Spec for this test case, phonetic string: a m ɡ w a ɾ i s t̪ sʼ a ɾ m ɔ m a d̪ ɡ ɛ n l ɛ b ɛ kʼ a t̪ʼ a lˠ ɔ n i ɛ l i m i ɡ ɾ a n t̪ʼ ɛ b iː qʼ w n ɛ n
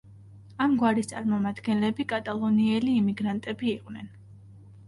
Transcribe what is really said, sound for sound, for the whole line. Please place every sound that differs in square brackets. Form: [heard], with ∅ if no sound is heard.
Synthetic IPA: a m ɡ w a ɾ i s t̪ sʼ a ɾ m ɔ m a d̪ ɡ ɛ n l ɛ b [i] kʼ a t̪ʼ a lˠ ɔ n i ɛ l [iː] m i ɡ ɾ a n t̪ʼ ɛ b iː qʼ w n ɛ n